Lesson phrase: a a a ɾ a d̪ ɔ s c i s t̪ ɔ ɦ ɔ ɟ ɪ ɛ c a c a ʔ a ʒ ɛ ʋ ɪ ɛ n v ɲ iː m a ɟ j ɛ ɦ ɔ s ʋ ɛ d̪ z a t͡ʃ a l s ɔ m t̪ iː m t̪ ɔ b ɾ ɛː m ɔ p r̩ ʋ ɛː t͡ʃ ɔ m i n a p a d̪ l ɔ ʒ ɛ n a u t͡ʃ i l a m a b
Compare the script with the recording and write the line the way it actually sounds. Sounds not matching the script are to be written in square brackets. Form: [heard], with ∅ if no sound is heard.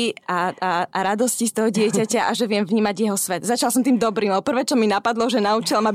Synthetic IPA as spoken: a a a ɾ a d̪ ɔ s c i s t̪ ɔ ɦ ɔ ɟ ɪ ɛ c a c a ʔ a ʒ ɛ ʋ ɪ ɛ [m] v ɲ iː m a ɟ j ɛ ɦ ɔ s ʋ ɛ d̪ z a t͡ʃ a l s ɔ m t̪ iː m [d̪] ɔ b ɾ [iː] m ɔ p r̩ ʋ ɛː t͡ʃ ɔ m i n a p a d̪ l ɔ ʒ ɛ n a u t͡ʃ i l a m a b